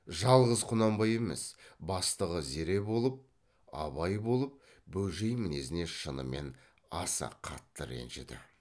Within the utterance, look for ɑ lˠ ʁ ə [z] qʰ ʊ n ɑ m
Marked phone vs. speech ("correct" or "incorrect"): correct